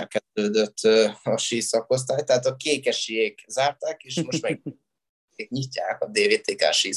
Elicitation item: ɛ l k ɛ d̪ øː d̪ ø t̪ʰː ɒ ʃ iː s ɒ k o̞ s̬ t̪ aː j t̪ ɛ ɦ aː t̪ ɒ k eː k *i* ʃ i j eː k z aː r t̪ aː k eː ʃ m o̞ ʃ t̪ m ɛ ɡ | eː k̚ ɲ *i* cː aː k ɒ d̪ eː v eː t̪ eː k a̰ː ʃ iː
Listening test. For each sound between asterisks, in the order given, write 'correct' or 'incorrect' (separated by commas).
incorrect, correct